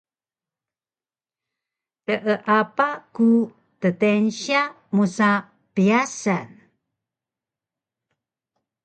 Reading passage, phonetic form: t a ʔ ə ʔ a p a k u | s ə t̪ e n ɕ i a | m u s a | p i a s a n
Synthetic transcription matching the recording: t ə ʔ ə ʔ a p a k u | t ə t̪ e n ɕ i a | m u s a | p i a s a n